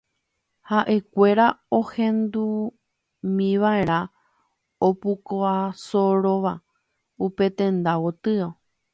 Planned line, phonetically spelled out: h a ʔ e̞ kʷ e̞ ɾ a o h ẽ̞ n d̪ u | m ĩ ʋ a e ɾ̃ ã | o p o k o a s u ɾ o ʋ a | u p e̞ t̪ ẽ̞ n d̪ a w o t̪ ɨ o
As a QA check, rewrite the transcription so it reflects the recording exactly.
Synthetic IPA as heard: h a ʔ e̞ kʷ e̞ ɾ a o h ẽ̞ n d̪ u | m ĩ ʋ a e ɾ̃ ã | o p u k o a s o ɾ o ʋ a | u p e̞ t̪ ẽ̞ n d̪ a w o t̪ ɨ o